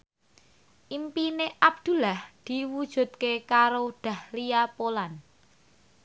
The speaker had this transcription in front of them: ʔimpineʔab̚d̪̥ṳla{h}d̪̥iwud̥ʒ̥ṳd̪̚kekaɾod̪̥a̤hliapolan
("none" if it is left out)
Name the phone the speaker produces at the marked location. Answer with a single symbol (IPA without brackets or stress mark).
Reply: h